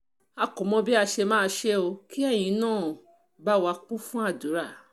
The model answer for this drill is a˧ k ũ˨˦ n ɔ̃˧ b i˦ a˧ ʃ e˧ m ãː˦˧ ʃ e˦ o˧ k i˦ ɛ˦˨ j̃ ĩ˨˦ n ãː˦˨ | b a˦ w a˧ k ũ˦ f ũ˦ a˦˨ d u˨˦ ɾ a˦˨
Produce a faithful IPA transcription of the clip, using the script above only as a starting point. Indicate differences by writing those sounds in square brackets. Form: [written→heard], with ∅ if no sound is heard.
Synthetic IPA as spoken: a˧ k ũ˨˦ [n→m] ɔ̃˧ b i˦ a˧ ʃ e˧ m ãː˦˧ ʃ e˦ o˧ k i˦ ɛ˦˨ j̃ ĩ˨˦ n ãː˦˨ | b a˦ w a˧ [k→k͡p] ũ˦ f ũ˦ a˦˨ d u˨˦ ɾ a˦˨